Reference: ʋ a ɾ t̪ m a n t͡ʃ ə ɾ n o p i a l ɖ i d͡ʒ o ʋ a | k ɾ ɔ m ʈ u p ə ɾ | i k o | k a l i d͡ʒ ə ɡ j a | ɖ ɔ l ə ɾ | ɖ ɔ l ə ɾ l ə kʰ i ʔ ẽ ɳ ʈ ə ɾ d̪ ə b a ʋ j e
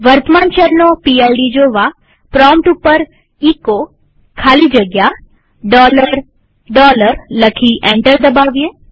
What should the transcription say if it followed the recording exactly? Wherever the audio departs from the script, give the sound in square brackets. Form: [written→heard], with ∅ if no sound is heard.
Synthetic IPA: ʋ [a→ə] ɾ t̪ m a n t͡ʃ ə ɾ n o p i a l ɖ i d͡ʒ o ʋ a | [k→p] ɾ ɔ m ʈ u p ə ɾ | i k o | [k→kʰ] a l i d͡ʒ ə ɡ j a | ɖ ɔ l ə ɾ | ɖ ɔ l ə ɾ l ə kʰ i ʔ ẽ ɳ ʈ ə ɾ d̪ ə b a ʋ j e

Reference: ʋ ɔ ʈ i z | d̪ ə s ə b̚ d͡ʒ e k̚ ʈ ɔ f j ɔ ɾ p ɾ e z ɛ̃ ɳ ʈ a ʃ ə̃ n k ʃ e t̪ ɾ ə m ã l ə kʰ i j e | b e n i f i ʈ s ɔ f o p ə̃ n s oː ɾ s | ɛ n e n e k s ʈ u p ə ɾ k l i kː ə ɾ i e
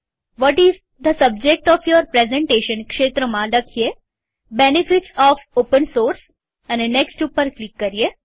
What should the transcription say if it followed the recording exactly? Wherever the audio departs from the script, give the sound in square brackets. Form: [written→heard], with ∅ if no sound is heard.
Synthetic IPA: ʋ ɔ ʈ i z | d̪ ə s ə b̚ d͡ʒ e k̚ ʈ ɔ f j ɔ ɾ p ɾ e z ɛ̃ ɳ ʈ [a→e] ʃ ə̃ n k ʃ e t̪ ɾ ə m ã l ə kʰ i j e | b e n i f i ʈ s ɔ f o p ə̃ n s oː ɾ s | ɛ n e n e k s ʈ u p ə ɾ k l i kː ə ɾ i e

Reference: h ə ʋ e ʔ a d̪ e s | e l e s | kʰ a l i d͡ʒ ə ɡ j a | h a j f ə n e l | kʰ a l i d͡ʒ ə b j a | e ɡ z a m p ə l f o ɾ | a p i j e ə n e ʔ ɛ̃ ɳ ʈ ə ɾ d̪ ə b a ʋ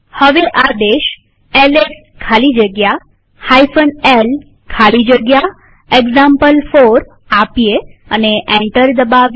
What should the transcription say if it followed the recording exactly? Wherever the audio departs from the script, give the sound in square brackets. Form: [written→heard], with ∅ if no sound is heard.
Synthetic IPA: h ə ʋ e ʔ a d̪ e [s→ʃ] | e l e s | kʰ a l i d͡ʒ ə ɡ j a | h a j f ə n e l | kʰ a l i d͡ʒ ə [b→ɡ] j a | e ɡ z a m p ə l f o ɾ | a p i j e ə n e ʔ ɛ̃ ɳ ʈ ə ɾ d̪ ə b a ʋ

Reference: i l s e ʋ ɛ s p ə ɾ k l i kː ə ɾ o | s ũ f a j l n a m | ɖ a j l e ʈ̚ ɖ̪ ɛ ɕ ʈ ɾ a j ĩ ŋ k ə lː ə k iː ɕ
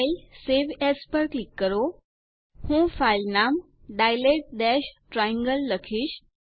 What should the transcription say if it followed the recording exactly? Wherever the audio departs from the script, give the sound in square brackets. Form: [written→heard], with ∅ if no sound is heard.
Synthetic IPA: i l s e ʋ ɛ s p ə ɾ k l i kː ə ɾ o | [s→h] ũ f a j l n a m | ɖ a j l e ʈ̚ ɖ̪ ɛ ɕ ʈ ɾ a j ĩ ŋ [k→ɡ] ə lː ə [k→kʰ] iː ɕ

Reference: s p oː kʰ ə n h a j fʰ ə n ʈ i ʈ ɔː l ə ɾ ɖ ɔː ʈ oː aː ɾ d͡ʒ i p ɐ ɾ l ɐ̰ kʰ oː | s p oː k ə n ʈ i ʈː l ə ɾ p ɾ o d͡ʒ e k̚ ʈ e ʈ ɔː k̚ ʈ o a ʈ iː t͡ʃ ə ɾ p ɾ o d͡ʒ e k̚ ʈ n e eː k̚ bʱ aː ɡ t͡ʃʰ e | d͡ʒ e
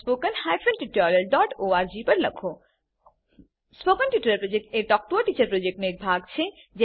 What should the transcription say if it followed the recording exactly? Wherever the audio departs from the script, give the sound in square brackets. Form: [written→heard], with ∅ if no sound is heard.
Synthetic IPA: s p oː [kʰ→k] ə n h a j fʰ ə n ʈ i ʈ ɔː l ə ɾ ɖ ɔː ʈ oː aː ɾ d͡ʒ i p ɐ ɾ l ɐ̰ kʰ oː | s p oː k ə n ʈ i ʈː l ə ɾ p ɾ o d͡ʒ e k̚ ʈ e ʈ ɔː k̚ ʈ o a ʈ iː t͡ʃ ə ɾ p ɾ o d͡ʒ e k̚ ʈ n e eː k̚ bʱ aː ɡ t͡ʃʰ e | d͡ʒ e

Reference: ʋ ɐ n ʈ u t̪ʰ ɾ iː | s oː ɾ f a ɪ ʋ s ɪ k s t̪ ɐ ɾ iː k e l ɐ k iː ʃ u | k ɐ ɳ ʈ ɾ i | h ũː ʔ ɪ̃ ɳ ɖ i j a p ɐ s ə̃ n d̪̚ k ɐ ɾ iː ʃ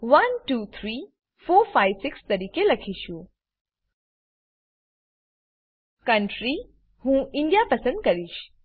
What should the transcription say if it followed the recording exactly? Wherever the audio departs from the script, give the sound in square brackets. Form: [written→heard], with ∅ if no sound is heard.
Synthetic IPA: ʋ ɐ n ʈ u t̪ʰ ɾ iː | [s→f] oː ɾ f a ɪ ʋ s ɪ k s t̪ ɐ ɾ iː k e l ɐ [k→kʰ] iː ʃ u | k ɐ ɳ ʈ ɾ i | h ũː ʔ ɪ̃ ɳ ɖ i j a p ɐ s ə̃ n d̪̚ k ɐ ɾ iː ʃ

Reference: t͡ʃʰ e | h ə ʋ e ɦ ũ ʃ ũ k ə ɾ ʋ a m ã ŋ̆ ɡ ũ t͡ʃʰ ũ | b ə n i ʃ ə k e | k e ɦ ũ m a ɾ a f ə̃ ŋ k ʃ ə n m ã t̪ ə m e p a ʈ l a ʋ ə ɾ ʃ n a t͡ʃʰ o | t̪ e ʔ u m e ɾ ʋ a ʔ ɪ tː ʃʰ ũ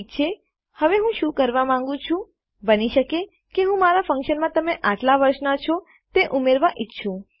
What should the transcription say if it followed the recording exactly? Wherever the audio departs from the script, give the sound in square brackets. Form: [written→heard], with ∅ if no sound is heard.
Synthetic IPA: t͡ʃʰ e | h ə ʋ e ɦ ũ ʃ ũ k ə ɾ ʋ a m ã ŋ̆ ɡ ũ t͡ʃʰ ũ | b ə n i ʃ ə k e | k e ɦ ũ m a ɾ a f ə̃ ŋ k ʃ ə n m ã t̪ ə m e [p→ʔ] a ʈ l a ʋ ə ɾ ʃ n a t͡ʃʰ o | t̪ e ʔ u m e ɾ ʋ a ʔ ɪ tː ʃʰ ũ

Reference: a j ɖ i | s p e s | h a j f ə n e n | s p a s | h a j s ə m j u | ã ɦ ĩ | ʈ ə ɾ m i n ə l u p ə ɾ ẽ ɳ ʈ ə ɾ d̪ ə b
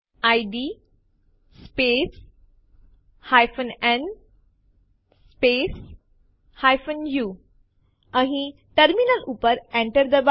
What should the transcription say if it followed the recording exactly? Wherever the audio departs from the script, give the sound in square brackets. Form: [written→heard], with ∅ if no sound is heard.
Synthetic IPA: a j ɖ i | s p e s | h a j f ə n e n | s p [a→e] s | h a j [s→f] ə [m→n] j u | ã ɦ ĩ | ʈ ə ɾ m i n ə l u p ə ɾ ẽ ɳ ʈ ə ɾ d̪ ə b

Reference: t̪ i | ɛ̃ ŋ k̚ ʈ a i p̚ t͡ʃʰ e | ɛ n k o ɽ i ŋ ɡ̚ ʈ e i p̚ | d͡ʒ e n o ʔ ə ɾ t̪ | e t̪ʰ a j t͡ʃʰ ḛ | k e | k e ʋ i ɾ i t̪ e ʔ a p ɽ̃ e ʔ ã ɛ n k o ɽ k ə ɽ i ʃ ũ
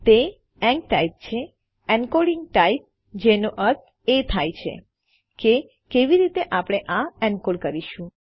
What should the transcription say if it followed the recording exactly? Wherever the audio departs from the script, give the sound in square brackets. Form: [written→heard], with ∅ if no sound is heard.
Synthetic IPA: t̪ [i→e] | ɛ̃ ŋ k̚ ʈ a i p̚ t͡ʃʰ e | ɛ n k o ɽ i ŋ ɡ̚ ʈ [e→a] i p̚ | d͡ʒ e n o ʔ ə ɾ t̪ | e t̪ʰ a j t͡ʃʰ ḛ | k e | k e ʋ i ɾ i t̪ e ʔ a p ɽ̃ e ʔ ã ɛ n k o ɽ k ə [ɽ→ɾ] i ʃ ũ

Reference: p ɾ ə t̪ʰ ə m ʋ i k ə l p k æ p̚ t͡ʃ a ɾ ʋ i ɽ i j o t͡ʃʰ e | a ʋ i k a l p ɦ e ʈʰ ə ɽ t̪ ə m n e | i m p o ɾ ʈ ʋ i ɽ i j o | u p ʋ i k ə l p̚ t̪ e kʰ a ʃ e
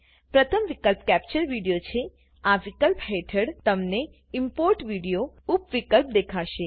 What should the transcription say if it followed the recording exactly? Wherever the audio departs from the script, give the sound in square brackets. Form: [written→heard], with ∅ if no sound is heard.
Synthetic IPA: p ɾ ə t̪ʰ ə m ʋ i k ə l p k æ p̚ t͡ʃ [a→ə] ɾ ʋ i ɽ i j o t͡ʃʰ e | a ʋ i k [a→ə] l p ɦ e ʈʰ ə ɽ t̪ ə m n e | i m p o ɾ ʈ ʋ i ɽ i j o | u p ʋ i k ə l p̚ [t̪→d̪] e kʰ a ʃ e

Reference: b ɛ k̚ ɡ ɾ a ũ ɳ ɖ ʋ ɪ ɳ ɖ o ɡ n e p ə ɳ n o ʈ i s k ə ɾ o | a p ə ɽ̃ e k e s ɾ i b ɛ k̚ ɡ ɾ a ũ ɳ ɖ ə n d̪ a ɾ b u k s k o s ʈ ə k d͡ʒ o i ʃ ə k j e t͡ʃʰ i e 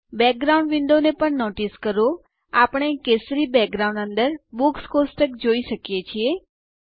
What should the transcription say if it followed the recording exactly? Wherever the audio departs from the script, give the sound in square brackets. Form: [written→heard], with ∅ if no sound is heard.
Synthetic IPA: b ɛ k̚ ɡ ɾ a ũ ɳ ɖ ʋ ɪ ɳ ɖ o [ɡ→∅] n e p ə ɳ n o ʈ i s k ə ɾ o | a p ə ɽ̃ e k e s ɾ i b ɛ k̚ ɡ ɾ a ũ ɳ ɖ ə n d̪ [a→ə] ɾ b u k s k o s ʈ ə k d͡ʒ o i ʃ ə k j e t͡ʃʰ i e

